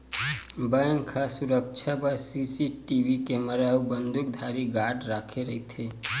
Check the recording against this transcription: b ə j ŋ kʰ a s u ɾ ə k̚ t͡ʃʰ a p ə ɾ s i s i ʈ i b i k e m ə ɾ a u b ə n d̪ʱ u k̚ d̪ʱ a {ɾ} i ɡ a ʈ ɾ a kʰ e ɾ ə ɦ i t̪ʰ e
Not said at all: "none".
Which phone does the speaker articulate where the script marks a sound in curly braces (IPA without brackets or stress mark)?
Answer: ɾ